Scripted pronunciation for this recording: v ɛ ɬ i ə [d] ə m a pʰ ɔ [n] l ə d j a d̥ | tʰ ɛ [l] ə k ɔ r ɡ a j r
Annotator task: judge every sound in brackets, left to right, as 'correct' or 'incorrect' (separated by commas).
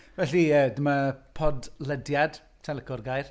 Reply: correct, incorrect, correct